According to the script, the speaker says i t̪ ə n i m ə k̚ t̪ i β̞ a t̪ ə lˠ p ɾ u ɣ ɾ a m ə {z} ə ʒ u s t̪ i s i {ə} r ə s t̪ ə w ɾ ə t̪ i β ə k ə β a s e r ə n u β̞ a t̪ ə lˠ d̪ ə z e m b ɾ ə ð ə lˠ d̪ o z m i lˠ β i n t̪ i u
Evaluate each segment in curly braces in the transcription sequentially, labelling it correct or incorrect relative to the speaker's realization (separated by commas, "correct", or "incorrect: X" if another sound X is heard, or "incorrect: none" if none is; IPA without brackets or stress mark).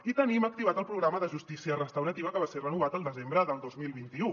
incorrect: ð, correct